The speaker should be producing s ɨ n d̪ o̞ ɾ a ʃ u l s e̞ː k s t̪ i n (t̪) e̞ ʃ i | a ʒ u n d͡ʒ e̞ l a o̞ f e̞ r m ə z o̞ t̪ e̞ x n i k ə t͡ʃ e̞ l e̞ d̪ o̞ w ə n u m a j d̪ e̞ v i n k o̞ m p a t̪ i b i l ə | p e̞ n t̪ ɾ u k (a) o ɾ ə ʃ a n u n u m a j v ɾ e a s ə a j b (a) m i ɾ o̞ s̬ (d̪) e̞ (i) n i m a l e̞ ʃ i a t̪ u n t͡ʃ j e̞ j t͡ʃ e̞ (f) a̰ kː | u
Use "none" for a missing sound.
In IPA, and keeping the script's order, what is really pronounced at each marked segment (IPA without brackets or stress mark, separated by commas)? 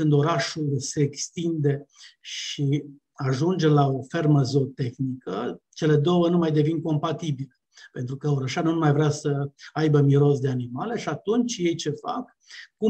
d̪, ə, ə, d̪, a, f